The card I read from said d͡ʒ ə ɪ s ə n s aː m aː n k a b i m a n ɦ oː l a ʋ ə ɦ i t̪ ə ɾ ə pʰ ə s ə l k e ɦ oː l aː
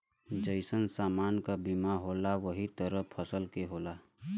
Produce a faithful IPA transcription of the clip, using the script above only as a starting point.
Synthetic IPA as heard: d͡ʒ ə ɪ s ə n s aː m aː n k a b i m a ɦ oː l a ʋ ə ɦ i t̪ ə ɾ ə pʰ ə s ə l k e ɦ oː l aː